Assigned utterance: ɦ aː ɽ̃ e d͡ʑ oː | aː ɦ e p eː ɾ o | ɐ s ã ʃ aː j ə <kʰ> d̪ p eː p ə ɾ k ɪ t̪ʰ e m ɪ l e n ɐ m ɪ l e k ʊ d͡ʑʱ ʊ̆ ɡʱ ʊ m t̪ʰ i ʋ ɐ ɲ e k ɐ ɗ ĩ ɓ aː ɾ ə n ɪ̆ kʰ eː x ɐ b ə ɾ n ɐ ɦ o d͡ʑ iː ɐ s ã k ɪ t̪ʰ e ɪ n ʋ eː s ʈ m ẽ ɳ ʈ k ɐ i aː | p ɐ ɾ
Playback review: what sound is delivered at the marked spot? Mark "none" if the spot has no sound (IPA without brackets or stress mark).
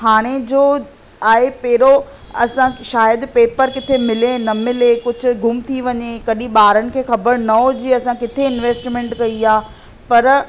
none